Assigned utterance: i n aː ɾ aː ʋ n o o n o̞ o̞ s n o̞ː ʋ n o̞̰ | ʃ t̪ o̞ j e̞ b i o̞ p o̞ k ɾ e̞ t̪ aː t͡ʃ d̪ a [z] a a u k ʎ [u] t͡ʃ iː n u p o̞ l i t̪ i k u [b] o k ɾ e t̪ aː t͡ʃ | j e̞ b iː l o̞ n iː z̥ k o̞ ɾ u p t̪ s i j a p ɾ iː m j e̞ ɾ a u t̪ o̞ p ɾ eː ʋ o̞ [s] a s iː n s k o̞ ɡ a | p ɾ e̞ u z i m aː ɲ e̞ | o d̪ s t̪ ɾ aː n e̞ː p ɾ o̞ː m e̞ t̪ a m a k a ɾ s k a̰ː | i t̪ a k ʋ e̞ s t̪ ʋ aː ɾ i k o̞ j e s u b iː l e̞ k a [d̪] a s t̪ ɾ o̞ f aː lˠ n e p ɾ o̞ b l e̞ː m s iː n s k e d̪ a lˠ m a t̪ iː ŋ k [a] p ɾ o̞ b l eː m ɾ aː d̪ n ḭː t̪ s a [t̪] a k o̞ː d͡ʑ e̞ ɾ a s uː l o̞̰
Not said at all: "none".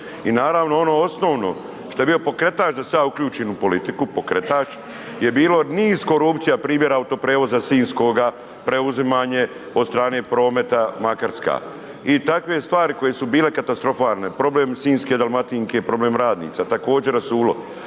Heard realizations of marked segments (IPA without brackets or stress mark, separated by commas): s, uː, p, z, t̪, e, t̪